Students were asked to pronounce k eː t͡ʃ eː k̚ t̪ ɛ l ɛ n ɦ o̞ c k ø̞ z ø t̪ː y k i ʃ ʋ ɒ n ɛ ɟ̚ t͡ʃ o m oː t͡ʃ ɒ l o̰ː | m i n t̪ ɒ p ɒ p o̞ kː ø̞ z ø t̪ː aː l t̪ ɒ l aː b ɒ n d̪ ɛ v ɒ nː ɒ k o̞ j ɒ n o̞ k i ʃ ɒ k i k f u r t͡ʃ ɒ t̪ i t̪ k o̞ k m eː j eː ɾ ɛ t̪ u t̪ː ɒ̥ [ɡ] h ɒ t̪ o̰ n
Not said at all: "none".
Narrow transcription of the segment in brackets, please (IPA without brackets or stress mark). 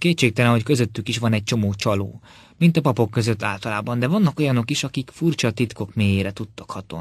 k